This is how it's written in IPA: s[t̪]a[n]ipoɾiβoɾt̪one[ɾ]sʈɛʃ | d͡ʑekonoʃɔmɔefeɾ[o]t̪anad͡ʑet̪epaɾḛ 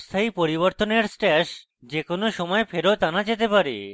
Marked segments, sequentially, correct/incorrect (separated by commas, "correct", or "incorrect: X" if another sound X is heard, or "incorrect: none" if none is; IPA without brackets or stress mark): incorrect: t̪ʰ, incorrect: none, correct, correct